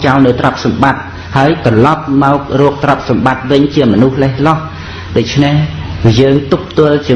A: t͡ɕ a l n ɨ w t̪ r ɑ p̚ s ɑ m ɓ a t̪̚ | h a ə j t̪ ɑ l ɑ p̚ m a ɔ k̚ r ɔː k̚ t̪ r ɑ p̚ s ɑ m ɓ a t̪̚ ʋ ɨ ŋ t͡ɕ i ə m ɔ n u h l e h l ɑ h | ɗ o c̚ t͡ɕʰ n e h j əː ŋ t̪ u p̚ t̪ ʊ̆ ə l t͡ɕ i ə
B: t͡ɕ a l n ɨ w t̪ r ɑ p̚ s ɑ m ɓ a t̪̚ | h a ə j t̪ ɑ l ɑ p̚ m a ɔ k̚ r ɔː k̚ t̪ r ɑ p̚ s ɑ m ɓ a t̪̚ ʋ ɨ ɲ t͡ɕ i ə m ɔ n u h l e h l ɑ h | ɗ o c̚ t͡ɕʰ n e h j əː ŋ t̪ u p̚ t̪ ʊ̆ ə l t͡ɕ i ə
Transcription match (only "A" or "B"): B